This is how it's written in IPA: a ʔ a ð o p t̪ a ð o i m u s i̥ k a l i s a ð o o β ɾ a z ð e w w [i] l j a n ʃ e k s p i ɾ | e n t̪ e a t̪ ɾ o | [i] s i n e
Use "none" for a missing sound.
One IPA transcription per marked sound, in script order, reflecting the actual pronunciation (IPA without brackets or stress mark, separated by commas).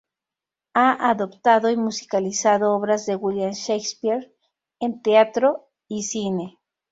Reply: i, i